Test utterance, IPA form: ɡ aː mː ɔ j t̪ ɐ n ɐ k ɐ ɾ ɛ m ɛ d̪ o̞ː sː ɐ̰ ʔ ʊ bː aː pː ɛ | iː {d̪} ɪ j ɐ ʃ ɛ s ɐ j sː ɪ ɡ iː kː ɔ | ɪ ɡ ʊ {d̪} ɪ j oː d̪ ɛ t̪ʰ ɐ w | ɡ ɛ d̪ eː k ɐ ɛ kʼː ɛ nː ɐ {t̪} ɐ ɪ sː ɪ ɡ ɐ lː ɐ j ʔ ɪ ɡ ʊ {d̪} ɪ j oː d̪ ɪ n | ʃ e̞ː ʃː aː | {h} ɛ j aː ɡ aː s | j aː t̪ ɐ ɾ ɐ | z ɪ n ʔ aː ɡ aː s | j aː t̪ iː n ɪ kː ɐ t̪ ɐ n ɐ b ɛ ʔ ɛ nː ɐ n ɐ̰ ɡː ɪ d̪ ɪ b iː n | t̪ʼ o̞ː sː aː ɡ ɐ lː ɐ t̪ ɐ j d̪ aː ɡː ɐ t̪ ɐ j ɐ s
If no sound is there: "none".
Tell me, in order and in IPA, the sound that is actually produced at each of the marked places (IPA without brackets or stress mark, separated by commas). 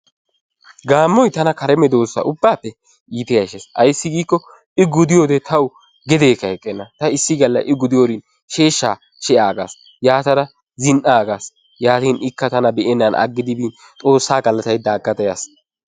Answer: t̪, d̪, t̪, d̪, ʃ